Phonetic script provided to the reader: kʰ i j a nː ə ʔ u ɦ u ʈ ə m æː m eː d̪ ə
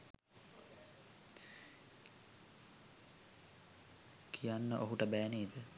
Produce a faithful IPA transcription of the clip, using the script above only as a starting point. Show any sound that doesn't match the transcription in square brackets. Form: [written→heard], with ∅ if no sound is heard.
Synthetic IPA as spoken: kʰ i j a nː ə ʔ [u→o] ɦ u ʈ ə [m→b] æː [m→n] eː d̪ ə